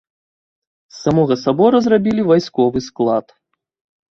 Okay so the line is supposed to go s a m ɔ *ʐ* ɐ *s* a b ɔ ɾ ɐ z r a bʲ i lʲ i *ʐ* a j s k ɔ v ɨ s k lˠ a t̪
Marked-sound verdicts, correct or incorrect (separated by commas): incorrect, correct, incorrect